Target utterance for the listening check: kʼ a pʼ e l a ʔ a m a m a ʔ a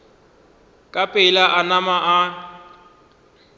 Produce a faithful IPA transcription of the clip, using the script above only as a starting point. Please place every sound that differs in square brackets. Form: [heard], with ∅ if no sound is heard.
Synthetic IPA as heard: kʼ a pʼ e l a ʔ a [n] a m a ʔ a